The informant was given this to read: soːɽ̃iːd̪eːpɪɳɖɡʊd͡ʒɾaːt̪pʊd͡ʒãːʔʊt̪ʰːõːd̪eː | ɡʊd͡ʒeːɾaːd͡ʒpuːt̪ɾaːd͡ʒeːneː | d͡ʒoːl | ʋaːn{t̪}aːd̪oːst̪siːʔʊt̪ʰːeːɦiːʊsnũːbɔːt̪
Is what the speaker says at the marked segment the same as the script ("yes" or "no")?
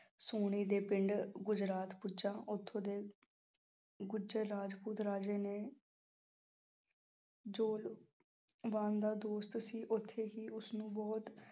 no